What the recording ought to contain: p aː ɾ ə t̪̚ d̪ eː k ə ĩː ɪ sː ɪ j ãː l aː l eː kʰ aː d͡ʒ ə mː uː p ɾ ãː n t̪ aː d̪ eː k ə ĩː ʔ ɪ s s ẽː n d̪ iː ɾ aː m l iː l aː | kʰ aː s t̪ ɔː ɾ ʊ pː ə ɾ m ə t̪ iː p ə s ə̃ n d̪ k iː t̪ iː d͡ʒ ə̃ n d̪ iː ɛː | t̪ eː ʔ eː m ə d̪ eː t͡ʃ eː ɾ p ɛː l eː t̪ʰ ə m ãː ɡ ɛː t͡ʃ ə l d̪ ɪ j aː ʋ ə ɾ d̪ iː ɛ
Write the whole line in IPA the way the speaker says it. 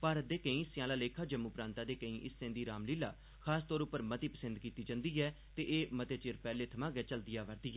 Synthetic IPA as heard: p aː ɾ ə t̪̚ d̪ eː k ə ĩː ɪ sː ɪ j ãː l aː l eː kʰ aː d͡ʒ ə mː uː p ɾ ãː n t̪ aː d̪ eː k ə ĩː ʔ ɪ s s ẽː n d̪ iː ɾ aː m l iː l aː | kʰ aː s t̪ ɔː ɾ ʊ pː ə ɾ m ə t̪ iː p ə s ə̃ n d̪ k iː t̪ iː d͡ʒ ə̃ n d̪ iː ɛː | t̪ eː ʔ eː m ə t̪ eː t͡ʃ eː ɾ p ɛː l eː t̪ʰ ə m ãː ɡ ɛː t͡ʃ ə l d̪ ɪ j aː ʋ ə ɾ d̪ iː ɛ